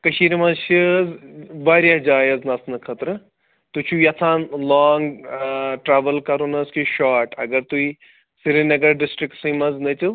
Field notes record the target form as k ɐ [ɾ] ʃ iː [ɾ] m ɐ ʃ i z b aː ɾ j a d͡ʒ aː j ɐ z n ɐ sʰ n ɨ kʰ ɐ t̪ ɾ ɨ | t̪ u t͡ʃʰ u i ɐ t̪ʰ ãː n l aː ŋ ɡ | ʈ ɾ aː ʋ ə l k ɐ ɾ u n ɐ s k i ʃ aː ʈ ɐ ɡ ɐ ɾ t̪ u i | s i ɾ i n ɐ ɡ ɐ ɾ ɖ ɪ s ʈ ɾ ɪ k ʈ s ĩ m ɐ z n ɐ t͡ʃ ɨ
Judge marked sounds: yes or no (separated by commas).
no, yes